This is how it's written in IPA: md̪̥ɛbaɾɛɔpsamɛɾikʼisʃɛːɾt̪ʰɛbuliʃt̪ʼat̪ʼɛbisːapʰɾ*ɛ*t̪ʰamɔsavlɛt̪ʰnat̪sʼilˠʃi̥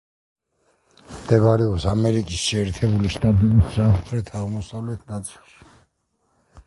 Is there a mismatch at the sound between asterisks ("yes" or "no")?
no